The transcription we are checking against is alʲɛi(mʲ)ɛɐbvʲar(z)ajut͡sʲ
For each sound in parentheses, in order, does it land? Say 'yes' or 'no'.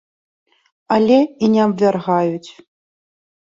no, no

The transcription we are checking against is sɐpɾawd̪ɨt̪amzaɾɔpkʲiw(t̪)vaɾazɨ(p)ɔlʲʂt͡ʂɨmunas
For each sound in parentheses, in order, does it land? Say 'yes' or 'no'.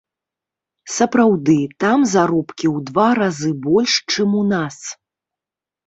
no, no

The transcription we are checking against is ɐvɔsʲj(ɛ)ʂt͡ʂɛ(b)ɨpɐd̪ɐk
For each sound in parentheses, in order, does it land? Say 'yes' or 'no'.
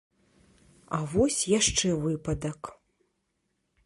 no, no

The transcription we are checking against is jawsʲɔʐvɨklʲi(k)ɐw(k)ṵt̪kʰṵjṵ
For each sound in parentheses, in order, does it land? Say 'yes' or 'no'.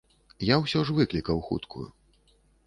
yes, no

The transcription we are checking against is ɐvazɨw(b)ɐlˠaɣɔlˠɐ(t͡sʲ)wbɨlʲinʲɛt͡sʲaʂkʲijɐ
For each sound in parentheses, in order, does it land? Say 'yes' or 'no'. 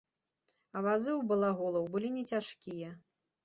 yes, no

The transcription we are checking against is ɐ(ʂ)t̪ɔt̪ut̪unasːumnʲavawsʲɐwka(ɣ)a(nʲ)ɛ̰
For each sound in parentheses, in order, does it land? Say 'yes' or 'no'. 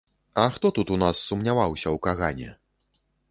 no, yes, yes

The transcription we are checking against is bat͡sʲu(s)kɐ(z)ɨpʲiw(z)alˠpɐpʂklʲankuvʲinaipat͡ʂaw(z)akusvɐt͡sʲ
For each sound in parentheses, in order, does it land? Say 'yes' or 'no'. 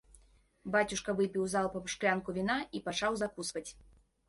no, no, yes, yes

